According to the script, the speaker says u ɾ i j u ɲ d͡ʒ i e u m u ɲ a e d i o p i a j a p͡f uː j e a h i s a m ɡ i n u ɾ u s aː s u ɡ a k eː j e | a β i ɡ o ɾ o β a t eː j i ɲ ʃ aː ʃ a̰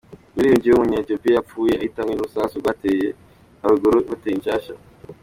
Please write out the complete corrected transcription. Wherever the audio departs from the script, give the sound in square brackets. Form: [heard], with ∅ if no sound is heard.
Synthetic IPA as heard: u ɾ i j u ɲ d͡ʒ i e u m u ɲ a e [t] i o p i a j a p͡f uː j e a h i [t] a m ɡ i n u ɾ u s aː s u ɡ a [t] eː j e | a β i ɡ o ɾ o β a t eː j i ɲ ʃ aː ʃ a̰